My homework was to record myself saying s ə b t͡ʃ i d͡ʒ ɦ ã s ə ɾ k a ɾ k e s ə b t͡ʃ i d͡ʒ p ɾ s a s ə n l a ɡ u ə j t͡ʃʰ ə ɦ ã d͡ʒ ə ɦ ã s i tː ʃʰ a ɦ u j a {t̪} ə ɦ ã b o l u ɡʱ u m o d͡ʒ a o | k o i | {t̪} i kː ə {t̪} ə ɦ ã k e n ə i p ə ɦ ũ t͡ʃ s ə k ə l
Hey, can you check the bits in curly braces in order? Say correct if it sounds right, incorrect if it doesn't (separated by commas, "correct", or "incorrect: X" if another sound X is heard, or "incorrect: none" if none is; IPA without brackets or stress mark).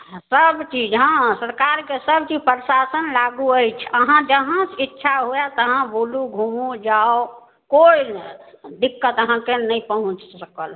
correct, incorrect: d̪, correct